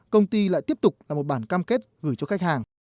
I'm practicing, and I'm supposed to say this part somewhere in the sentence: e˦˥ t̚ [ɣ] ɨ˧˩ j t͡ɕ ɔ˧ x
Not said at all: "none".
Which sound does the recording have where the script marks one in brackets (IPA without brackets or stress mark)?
ɣ